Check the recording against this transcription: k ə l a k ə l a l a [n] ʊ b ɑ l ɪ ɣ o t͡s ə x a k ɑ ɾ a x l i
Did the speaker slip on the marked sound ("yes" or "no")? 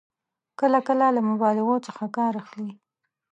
yes